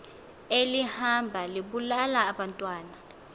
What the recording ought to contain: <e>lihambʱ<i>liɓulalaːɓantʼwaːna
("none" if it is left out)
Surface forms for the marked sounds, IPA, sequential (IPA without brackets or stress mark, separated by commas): e, a